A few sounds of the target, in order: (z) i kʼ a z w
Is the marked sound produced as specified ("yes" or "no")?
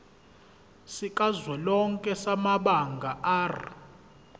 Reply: no